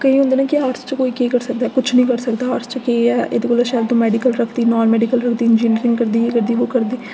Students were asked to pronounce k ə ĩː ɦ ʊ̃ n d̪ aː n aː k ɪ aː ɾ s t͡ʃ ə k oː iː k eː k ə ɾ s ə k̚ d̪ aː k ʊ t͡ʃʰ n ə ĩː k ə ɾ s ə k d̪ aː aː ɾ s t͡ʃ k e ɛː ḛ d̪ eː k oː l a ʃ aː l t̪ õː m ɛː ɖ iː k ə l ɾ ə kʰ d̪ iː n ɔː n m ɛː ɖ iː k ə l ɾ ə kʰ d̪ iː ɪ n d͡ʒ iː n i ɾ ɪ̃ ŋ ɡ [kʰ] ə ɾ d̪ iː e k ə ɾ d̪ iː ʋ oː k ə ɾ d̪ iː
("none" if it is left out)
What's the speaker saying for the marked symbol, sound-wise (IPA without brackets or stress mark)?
k